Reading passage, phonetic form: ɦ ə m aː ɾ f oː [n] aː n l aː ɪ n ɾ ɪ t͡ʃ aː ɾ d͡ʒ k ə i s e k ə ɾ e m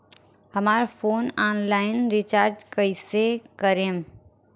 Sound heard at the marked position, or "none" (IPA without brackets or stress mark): n